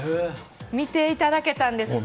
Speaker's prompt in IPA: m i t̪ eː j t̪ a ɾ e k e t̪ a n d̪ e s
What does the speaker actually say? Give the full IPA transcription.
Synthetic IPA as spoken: m i t̪ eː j t̪ a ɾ a k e t̪ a n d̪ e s